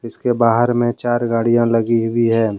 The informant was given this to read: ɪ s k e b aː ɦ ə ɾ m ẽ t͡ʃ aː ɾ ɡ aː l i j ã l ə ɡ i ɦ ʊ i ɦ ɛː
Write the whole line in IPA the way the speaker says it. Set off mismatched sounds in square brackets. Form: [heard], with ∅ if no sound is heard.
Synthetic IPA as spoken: ɪ s k e b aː ɦ ə ɾ m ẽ t͡ʃ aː ɾ ɡ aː [ɽ] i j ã l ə ɡ i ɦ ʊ i ɦ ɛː